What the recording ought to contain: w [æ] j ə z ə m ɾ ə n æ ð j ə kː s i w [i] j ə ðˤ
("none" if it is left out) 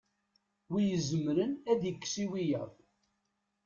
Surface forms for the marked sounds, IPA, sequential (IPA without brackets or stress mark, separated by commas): i, i